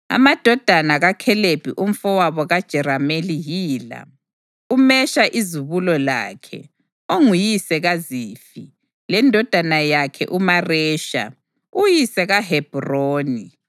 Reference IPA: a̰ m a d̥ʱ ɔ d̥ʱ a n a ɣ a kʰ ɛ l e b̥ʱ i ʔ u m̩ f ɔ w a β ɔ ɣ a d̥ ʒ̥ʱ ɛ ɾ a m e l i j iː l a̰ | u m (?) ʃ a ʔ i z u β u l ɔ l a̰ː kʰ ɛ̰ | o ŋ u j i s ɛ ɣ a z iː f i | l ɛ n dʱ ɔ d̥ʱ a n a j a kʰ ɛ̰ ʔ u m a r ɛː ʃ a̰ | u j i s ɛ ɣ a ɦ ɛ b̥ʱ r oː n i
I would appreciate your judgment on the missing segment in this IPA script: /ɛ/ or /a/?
ɛ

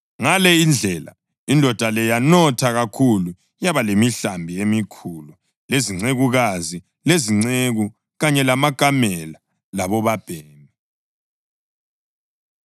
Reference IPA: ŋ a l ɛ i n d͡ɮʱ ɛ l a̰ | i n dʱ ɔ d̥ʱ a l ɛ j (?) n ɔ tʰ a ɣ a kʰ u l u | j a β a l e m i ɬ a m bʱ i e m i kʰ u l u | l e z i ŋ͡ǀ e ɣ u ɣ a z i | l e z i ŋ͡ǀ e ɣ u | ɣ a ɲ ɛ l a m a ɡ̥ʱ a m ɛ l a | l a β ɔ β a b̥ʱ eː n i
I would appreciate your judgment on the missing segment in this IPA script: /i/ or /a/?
a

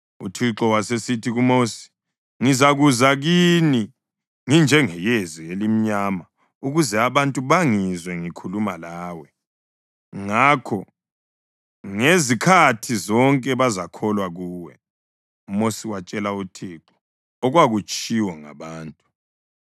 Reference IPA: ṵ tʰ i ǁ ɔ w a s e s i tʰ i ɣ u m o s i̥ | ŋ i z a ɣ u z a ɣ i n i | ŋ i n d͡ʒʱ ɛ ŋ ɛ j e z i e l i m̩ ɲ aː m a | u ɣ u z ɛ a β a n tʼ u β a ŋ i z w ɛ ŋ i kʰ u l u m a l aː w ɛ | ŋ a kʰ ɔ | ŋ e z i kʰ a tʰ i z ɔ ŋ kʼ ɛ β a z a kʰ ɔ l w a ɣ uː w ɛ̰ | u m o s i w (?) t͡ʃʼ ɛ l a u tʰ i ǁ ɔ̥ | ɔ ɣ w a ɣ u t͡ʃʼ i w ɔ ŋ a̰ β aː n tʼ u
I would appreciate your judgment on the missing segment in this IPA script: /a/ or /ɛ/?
a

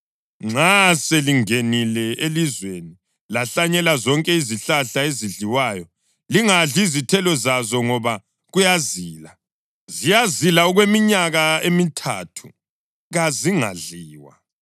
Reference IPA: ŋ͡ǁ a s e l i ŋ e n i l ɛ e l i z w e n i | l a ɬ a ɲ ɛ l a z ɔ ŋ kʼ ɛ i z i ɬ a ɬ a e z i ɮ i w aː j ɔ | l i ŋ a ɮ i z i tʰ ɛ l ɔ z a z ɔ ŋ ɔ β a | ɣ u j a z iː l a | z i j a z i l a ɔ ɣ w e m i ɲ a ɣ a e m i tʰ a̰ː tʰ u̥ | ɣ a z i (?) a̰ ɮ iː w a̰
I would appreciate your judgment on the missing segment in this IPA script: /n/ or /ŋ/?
ŋ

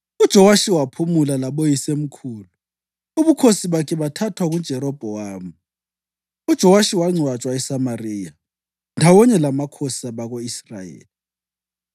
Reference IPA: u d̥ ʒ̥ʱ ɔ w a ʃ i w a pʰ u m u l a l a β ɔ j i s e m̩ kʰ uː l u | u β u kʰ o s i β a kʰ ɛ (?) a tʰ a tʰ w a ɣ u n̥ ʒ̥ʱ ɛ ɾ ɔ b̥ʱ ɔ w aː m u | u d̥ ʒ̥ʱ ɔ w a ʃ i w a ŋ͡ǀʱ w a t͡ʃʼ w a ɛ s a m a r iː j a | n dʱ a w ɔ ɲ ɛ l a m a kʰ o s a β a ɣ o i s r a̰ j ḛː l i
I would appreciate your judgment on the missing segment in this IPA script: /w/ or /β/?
β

